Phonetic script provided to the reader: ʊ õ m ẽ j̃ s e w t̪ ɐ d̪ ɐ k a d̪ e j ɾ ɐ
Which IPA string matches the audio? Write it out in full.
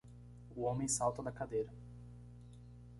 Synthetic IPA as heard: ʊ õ m ẽ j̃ s a w t̪ ɐ d̪ ɐ k a d̪ e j ɾ ɐ